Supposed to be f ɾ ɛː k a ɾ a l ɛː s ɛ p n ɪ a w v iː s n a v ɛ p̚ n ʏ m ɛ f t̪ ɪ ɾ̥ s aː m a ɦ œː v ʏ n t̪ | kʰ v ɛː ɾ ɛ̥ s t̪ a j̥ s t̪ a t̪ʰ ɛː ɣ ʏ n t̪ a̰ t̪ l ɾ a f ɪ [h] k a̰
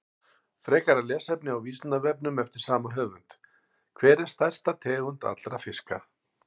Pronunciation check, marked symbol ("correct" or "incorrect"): incorrect